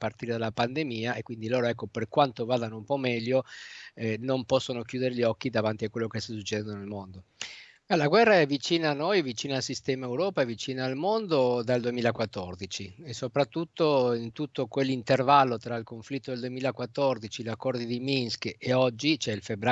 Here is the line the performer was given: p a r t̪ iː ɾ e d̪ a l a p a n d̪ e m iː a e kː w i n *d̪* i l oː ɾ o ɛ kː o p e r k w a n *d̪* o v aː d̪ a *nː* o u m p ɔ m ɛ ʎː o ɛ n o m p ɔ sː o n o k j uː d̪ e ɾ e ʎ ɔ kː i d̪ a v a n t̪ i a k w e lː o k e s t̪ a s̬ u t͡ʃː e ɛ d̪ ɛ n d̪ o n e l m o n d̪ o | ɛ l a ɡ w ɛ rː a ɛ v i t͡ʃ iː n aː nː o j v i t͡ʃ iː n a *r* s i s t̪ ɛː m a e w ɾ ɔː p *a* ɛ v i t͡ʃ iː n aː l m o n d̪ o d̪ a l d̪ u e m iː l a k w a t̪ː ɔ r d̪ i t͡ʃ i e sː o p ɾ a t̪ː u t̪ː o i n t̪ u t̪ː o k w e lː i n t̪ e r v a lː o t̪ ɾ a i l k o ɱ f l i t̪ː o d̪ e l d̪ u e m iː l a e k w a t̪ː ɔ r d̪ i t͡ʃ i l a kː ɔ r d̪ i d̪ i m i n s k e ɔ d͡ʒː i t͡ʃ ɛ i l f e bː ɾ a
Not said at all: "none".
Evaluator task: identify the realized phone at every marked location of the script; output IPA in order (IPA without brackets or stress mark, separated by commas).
d̪, t̪, n, l, a